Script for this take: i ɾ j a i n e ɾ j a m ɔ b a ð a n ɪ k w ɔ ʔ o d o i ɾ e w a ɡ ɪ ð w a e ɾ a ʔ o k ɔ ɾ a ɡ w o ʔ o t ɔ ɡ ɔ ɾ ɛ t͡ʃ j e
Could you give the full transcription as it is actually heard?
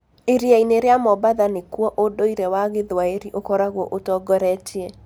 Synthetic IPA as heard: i ɾ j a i n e ɾ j a m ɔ b a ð a n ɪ k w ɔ ʔ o d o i ɾ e w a ɡ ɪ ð w a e ɾ i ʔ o k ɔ ɾ a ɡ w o ʔ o t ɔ ɡ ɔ ɾ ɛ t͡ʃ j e